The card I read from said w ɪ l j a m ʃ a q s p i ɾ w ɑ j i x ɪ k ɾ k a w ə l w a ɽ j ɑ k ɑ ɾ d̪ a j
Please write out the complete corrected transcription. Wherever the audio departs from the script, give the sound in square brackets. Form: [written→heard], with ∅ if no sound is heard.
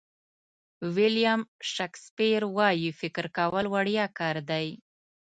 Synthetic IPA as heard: w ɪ l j a m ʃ a [q→k] s p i ɾ w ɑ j i [x→f] ɪ k ɾ k a w ə l w a ɽ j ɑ k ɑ ɾ d̪ a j